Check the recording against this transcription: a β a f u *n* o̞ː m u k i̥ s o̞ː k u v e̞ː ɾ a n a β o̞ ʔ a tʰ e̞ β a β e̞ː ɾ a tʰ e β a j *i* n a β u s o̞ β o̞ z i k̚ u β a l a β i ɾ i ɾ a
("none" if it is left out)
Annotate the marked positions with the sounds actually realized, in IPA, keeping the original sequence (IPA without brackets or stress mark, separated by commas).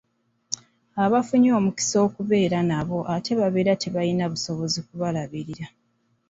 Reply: ɲ, i